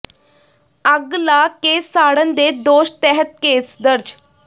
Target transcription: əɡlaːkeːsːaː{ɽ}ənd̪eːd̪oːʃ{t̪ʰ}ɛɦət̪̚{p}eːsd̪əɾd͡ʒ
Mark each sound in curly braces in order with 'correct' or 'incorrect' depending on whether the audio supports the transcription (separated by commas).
correct, incorrect, incorrect